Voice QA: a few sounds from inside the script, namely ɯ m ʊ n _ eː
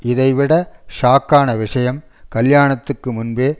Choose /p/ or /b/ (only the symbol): b